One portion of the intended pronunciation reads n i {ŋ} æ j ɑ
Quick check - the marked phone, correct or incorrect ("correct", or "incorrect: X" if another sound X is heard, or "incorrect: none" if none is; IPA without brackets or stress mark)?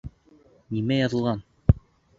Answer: incorrect: m